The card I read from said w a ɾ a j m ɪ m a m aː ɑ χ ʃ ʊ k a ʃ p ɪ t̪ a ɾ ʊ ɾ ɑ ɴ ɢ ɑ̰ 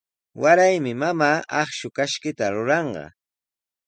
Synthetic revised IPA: w a ɾ a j m ɪ m a m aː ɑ χ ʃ ʊ k a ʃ k ɪ t̪ a ɾ ʊ ɾ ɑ ɴ ɢ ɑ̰